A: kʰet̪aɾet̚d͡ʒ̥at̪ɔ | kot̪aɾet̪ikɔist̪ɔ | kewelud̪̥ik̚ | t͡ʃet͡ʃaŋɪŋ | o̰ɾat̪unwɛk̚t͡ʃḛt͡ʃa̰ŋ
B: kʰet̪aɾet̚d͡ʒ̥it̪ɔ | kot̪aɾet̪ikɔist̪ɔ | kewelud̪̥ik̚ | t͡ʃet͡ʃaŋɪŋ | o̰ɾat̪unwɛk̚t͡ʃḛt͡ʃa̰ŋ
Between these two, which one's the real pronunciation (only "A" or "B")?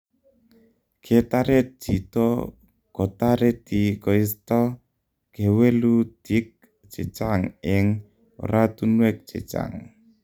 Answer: B